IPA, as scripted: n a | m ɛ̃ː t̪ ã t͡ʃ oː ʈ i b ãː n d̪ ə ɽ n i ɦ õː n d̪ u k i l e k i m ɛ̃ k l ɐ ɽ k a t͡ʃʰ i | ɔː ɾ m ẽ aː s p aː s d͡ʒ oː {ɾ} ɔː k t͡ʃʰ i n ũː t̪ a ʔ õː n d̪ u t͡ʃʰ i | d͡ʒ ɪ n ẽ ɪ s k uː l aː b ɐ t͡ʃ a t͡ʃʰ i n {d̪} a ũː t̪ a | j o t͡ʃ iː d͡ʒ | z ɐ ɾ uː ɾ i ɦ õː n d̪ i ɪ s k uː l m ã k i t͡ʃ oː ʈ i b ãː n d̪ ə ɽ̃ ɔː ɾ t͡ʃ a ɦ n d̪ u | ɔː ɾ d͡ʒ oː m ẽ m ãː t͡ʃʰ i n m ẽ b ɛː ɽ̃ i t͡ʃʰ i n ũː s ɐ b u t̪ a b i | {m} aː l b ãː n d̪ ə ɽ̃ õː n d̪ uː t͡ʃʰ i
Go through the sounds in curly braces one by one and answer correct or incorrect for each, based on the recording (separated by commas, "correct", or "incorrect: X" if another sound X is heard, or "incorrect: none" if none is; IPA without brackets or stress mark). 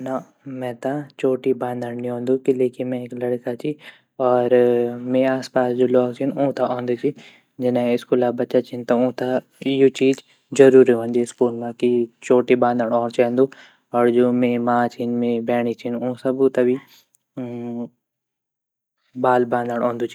incorrect: l, incorrect: t̪, incorrect: b